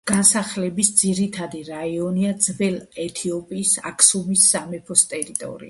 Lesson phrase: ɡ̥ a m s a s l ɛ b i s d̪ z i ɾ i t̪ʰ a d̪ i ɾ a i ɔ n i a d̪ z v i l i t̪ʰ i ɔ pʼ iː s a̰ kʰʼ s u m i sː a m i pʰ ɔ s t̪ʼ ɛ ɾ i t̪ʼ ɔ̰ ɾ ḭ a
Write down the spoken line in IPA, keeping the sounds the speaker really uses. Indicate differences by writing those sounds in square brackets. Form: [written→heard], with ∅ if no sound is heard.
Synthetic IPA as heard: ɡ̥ a [m→n] s a [s→χ] l ɛ b i s d̪ z i ɾ i t̪ʰ a d̪ i ɾ a i ɔ n i a d̪ z v [i→ɛ] l [i→ɛ] t̪ʰ i ɔ pʼ iː s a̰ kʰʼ s u m i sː a m [i→ɛ] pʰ ɔ s t̪ʼ ɛ ɾ i t̪ʼ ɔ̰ ɾ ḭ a